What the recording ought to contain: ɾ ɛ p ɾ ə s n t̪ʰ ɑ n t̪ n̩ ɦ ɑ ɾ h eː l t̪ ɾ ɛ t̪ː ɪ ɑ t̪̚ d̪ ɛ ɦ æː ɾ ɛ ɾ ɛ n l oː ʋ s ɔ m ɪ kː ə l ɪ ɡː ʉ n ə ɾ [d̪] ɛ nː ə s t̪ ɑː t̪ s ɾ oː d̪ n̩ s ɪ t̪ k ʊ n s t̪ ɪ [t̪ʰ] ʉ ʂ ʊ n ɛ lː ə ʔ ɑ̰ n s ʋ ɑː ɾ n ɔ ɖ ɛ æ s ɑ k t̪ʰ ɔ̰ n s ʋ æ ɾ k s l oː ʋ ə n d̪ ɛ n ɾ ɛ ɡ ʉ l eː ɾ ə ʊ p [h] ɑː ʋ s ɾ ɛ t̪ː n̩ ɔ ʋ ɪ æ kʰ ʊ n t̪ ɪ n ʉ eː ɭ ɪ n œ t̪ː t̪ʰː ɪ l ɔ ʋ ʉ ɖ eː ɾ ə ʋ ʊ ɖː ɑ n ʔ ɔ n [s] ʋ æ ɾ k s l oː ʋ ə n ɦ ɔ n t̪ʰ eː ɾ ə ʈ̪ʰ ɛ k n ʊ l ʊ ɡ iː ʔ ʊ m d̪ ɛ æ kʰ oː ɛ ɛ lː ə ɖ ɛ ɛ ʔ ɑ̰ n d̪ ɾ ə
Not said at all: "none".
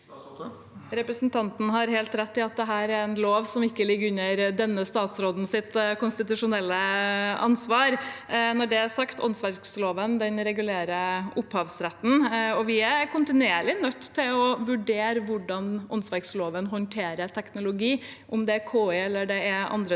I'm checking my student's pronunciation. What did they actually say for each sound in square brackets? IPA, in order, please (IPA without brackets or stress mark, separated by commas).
d̪, t̪, h, s